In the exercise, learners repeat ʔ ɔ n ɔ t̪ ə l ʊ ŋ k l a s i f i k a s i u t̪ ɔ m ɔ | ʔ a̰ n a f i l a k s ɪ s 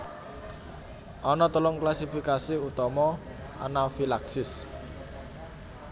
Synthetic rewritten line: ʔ ɔ n ɔ t̪ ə l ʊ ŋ k l a s i f i k a s i u t̪ ɔ m ɔ | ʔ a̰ n a f i l a k s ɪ s